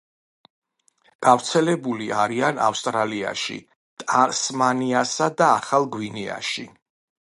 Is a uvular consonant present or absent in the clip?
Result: present